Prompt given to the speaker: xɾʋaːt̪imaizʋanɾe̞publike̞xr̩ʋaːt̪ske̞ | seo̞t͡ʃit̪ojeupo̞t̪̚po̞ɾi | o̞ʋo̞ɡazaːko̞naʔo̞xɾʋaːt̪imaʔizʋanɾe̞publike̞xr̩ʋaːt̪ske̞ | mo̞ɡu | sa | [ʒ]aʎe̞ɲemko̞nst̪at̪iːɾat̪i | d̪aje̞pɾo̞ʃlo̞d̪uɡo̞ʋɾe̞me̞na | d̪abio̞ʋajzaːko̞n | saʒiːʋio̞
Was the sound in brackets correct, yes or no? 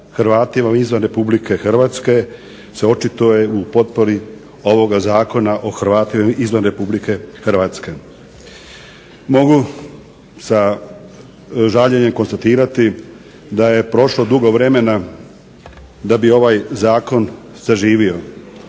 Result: yes